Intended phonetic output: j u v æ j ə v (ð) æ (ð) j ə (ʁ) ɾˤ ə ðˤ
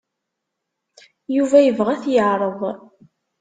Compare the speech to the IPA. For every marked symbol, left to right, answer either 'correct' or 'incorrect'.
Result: incorrect, incorrect, incorrect

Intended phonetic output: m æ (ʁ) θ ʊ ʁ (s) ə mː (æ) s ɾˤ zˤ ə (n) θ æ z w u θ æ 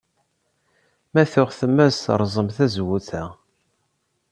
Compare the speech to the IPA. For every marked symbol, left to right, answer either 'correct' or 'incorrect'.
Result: incorrect, incorrect, correct, incorrect

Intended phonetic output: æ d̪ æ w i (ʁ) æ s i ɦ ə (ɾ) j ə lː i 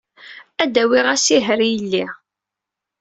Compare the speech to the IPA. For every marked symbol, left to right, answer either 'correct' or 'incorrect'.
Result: correct, correct

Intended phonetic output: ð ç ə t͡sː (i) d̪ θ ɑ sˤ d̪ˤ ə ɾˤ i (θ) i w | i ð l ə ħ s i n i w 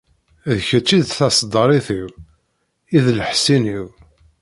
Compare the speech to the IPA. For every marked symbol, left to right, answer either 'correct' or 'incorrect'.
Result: correct, correct

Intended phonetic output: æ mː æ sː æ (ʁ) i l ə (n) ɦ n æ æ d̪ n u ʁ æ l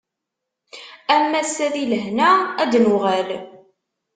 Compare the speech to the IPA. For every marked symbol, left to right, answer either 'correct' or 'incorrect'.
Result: incorrect, incorrect

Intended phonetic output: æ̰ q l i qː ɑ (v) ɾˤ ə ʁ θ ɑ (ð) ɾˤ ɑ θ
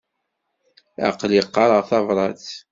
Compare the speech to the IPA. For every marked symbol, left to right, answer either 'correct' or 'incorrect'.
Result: incorrect, incorrect

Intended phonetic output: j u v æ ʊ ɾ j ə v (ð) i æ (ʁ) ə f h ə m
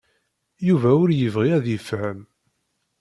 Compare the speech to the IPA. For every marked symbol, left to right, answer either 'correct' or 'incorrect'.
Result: incorrect, incorrect

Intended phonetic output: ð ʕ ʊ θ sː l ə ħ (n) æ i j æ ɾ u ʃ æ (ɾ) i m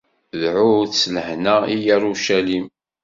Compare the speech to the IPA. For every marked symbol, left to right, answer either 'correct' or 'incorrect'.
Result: correct, incorrect

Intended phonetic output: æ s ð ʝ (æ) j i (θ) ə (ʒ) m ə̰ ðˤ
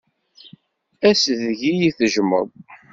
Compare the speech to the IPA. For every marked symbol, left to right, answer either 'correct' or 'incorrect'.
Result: incorrect, correct, correct

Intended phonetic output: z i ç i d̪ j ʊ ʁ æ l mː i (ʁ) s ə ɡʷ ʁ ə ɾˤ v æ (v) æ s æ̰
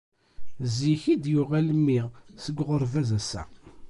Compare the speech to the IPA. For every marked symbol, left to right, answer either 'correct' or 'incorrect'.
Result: correct, incorrect

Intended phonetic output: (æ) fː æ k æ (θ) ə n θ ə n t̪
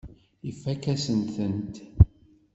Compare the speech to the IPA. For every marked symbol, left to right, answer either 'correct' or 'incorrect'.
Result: incorrect, incorrect

